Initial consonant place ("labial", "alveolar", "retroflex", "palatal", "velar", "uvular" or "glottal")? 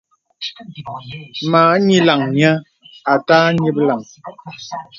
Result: labial